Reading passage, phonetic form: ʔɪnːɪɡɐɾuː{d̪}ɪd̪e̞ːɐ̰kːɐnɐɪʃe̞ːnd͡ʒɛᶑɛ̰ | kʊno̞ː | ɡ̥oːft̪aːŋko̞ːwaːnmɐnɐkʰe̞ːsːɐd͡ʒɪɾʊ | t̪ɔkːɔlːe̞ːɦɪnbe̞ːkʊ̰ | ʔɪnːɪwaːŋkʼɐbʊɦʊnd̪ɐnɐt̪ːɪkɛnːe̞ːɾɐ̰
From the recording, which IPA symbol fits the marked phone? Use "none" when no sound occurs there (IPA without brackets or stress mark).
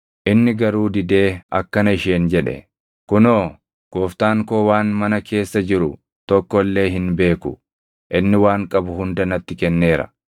d̪